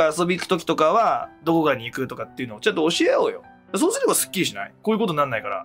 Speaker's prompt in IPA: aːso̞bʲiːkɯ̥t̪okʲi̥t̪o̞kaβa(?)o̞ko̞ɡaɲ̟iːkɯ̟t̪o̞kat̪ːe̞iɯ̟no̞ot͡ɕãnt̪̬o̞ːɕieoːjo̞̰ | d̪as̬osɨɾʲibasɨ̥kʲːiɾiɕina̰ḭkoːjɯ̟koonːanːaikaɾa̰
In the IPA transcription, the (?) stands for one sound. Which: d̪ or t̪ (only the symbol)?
d̪